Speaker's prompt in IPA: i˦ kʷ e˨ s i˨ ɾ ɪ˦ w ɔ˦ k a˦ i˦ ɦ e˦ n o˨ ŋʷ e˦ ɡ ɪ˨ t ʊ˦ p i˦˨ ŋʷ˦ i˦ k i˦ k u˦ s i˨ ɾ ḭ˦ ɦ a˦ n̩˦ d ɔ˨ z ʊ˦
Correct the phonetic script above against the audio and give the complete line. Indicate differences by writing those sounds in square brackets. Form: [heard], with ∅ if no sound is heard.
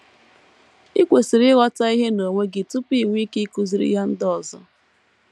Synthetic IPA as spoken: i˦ kʷ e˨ s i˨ ɾ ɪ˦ [ɣ] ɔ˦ [t] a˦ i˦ ɦ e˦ n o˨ ŋʷ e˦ ɡ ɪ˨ t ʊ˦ p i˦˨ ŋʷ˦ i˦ k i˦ k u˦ [z] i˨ ɾ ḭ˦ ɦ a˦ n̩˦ d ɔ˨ z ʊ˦